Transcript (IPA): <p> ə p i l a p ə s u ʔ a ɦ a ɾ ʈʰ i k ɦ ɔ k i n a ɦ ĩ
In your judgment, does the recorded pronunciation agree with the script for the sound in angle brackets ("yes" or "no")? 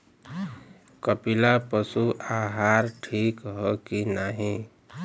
no